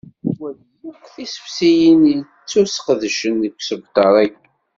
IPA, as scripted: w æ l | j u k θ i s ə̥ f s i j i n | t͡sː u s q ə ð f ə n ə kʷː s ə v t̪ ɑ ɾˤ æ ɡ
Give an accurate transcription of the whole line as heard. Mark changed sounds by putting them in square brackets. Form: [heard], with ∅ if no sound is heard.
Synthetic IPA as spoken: w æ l | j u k θ i s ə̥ f s i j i n | t͡sː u s q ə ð [ʃ] ə n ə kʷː s ə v t̪ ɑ ɾˤ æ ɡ